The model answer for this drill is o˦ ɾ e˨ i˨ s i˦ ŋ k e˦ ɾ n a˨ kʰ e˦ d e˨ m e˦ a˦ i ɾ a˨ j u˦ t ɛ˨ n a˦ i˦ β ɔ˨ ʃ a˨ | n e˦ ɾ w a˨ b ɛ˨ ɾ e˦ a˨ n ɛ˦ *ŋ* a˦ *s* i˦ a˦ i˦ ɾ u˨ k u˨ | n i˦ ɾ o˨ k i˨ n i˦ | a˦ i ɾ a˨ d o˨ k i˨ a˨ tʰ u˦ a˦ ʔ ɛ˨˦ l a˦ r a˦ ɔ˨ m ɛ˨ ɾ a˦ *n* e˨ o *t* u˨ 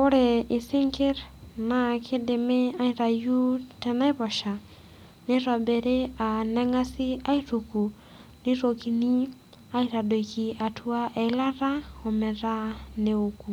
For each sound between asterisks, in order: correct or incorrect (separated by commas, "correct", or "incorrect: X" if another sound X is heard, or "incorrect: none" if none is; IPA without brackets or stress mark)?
correct, correct, correct, incorrect: k